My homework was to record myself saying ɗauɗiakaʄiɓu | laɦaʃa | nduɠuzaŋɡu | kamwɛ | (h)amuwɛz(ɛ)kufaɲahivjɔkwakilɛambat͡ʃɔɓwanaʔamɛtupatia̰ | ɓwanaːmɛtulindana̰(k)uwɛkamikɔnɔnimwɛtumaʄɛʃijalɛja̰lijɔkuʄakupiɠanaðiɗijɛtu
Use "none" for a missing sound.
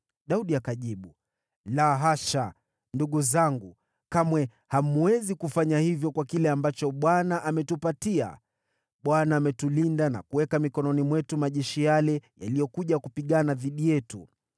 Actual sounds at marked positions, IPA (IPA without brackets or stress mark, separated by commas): h, i, k